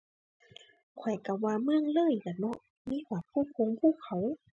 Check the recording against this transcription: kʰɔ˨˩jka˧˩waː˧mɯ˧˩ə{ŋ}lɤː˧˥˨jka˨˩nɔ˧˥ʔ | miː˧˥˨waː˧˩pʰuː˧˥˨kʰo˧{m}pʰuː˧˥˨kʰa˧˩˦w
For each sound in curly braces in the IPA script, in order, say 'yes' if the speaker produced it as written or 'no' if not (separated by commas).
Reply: yes, no